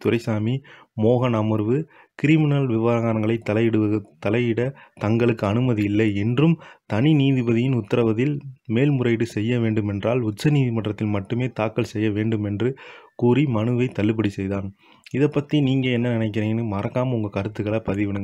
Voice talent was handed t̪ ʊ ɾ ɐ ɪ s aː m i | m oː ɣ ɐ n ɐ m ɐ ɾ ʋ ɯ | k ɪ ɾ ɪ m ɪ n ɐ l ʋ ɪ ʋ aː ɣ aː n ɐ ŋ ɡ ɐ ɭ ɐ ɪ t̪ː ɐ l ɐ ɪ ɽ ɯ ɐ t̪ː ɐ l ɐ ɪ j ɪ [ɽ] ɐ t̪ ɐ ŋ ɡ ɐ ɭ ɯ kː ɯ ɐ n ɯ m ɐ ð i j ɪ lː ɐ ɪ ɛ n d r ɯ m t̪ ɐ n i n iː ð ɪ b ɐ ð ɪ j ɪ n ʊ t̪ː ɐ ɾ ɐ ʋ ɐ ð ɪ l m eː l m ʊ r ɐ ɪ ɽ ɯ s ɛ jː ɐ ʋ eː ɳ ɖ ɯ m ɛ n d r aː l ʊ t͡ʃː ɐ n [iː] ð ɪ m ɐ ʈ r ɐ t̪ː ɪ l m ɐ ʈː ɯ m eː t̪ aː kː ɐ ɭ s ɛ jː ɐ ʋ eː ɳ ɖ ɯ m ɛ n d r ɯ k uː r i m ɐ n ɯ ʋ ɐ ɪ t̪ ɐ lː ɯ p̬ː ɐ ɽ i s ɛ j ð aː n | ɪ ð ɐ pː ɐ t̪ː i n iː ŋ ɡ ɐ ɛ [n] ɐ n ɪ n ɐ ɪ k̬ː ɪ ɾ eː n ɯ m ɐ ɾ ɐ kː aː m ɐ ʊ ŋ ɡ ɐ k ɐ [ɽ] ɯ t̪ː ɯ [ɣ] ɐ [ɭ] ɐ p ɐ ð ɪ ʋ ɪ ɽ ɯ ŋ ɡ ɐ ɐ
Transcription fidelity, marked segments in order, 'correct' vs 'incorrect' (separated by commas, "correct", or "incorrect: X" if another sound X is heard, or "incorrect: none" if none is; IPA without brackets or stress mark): correct, correct, incorrect: nː, incorrect: ɾ, correct, correct